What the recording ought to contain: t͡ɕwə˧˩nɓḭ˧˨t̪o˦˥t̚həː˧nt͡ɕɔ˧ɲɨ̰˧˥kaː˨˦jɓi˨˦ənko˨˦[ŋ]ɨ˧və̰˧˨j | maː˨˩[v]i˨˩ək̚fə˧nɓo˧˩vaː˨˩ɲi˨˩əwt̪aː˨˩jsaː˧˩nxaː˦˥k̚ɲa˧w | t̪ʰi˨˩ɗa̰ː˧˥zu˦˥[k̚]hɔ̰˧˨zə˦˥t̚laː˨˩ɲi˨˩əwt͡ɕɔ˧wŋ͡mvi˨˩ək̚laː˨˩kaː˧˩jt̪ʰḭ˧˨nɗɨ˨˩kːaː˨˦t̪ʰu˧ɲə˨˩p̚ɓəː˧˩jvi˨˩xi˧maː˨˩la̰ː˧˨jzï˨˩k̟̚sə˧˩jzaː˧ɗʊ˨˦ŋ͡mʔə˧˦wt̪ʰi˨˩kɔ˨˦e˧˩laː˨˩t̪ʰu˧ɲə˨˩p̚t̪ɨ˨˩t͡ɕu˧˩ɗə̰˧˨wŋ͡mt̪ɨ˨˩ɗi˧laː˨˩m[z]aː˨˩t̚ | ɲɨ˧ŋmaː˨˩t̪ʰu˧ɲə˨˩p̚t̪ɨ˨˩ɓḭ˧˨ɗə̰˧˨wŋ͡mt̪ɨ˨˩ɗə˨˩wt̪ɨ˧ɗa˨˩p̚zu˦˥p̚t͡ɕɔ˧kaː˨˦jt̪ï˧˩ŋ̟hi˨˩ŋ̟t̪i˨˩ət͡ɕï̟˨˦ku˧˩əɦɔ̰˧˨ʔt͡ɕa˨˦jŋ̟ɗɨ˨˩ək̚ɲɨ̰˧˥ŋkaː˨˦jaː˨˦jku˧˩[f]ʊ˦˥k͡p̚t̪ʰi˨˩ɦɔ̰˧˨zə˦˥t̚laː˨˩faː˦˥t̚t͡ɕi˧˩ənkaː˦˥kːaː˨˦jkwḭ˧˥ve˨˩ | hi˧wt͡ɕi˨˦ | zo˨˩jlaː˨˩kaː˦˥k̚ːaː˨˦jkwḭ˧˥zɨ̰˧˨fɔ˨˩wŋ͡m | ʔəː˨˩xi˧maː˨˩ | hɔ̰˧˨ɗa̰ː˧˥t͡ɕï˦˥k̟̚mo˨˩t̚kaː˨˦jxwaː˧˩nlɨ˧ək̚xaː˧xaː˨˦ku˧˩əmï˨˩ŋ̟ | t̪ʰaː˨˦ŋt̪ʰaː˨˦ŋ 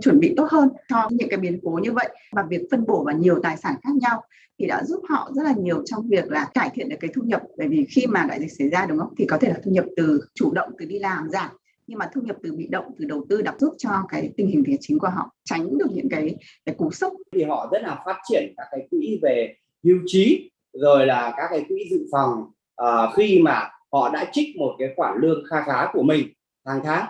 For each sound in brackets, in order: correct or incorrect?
incorrect: ɲ, correct, incorrect: p̚, correct, incorrect: s

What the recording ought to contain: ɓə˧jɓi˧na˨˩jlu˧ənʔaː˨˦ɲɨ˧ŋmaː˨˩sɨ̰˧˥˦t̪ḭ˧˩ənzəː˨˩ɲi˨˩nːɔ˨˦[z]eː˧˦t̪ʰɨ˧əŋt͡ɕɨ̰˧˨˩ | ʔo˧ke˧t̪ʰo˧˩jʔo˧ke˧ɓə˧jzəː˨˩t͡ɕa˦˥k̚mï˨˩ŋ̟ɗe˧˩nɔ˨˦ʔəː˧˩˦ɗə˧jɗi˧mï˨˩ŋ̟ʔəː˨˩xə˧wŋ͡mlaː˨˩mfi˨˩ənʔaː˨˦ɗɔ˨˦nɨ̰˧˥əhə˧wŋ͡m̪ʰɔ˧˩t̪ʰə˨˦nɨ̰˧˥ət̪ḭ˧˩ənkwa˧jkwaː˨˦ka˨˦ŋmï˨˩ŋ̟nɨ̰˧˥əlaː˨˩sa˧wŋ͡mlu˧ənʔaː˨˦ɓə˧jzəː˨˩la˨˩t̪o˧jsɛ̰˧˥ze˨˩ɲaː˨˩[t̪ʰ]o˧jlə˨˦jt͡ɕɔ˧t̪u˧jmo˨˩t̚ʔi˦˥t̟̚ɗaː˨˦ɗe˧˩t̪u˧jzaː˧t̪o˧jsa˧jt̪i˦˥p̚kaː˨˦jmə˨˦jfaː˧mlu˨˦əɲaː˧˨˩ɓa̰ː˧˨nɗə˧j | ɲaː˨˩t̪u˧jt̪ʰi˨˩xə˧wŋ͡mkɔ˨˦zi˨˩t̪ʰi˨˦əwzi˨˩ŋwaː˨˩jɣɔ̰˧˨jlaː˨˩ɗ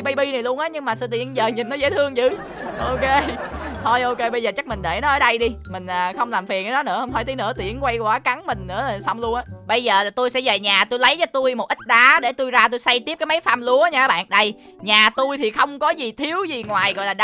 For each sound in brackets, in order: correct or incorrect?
correct, incorrect: t̪

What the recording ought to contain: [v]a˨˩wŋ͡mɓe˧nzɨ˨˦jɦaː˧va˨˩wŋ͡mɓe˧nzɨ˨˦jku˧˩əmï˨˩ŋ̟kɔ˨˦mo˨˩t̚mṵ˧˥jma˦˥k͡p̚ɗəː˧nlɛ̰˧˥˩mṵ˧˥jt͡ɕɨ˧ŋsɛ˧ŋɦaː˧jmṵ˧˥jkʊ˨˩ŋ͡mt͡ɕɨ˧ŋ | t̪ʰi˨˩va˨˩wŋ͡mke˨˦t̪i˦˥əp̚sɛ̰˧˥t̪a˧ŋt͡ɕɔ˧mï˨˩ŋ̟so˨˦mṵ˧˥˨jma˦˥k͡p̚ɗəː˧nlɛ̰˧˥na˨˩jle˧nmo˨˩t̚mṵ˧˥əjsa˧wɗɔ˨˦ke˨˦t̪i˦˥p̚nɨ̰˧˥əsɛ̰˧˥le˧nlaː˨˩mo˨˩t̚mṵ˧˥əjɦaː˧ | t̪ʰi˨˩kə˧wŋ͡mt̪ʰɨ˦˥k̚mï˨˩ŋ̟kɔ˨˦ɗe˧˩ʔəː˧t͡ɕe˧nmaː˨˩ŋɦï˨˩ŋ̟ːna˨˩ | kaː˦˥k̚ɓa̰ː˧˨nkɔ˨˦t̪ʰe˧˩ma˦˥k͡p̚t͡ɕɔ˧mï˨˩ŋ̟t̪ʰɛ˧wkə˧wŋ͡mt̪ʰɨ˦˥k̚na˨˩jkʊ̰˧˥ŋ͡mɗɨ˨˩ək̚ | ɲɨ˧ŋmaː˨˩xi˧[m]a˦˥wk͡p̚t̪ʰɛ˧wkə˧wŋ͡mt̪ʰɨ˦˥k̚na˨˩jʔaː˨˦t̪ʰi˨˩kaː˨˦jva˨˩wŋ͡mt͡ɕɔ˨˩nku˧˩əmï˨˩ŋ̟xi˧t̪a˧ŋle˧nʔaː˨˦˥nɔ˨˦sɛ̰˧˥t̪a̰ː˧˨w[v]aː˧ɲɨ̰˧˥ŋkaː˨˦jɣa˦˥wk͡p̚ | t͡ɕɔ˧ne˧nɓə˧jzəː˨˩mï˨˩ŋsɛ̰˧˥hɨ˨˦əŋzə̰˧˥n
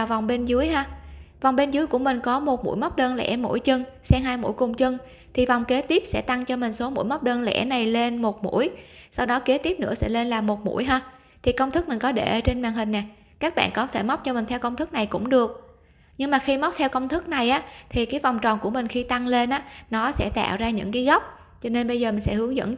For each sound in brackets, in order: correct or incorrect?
correct, correct, incorrect: z

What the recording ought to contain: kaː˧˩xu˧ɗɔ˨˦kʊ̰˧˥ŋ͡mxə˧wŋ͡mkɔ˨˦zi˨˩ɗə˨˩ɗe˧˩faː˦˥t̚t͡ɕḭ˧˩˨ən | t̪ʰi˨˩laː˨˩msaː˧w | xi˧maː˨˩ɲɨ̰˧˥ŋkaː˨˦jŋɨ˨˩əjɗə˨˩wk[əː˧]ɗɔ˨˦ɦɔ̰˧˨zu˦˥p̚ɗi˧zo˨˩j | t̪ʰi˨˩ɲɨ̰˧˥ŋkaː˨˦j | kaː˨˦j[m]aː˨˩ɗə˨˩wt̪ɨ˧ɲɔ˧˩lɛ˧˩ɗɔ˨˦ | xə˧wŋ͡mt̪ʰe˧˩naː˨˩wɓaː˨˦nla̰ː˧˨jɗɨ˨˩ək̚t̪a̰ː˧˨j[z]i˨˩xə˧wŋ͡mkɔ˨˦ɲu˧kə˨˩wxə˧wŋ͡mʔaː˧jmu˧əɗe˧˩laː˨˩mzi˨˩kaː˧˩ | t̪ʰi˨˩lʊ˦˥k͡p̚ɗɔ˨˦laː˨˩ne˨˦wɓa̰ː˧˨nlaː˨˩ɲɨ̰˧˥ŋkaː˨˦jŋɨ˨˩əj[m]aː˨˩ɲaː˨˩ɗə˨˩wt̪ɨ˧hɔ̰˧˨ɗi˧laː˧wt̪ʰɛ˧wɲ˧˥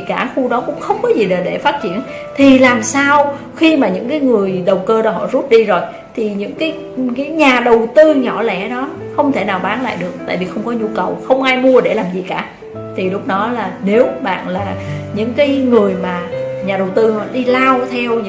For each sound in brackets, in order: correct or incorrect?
correct, incorrect: ɲ, incorrect: v, correct

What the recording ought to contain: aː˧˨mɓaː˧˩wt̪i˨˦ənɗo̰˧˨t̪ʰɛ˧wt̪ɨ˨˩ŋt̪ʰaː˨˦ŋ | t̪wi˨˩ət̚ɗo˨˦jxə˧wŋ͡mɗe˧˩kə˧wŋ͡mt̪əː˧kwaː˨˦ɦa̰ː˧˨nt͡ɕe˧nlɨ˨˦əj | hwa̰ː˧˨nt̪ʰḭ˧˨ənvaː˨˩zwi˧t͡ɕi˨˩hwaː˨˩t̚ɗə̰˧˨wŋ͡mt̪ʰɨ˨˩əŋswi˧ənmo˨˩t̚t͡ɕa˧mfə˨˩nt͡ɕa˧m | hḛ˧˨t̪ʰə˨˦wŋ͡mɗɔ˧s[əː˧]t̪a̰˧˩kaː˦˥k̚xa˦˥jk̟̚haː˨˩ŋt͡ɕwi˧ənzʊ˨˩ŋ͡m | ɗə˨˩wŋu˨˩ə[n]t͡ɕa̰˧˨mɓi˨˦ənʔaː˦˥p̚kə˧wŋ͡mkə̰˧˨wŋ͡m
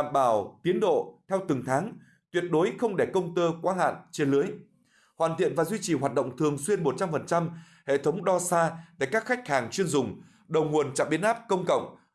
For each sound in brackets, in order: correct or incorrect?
incorrect: aː˧, correct

